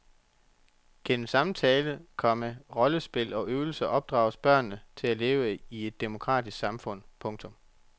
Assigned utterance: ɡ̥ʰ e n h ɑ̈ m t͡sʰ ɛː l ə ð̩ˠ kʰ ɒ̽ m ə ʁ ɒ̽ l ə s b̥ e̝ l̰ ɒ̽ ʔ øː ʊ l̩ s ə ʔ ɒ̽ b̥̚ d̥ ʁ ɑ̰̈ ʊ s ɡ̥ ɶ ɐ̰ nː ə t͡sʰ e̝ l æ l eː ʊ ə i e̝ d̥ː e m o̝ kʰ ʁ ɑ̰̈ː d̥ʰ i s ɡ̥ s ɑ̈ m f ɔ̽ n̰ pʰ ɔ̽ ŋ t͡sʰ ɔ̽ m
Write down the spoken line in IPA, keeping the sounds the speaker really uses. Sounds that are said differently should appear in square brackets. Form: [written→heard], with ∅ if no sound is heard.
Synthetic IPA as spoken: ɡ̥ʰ e n [h→s] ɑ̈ m t͡sʰ ɛː l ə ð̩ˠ kʰ ɒ̽ m ə ʁ ɒ̽ l ə s b̥ e̝ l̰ ɒ̽ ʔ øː ʊ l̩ s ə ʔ ɒ̽ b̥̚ d̥ ʁ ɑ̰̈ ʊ s [ɡ̥→b̥] ɶ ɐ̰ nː ə t͡sʰ e̝ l æ l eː ʊ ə i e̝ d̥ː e m o̝ kʰ ʁ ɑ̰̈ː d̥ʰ i s ɡ̥ s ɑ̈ m f ɔ̽ n̰ pʰ ɔ̽ ŋ t͡sʰ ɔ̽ m